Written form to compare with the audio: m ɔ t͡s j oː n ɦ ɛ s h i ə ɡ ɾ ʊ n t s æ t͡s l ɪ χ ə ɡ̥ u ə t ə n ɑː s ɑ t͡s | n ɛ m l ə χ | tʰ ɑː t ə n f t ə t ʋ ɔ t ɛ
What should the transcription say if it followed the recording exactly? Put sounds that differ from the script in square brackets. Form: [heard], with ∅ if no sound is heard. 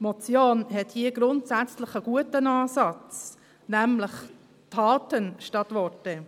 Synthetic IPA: m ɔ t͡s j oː n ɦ ɛ [t] h i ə ɡ ɾ ʊ n t s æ t͡s l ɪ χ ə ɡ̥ u ə t ə n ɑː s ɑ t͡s | n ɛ m l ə χ | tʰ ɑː t ə n [ʃ] t [ɑ] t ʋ ɔ t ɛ